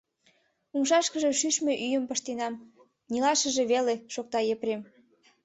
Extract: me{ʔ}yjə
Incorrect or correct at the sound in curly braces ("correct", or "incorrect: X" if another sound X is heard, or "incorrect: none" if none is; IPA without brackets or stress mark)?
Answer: correct